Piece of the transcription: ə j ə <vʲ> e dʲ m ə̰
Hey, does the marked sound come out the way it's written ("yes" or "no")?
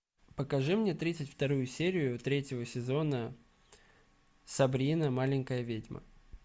yes